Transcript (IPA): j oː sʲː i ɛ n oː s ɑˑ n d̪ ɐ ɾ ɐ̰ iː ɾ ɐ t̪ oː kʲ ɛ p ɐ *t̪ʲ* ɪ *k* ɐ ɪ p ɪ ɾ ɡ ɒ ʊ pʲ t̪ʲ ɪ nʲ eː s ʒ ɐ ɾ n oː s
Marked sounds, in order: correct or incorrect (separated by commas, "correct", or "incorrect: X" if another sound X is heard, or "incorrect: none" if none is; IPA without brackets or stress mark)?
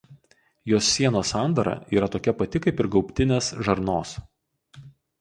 correct, correct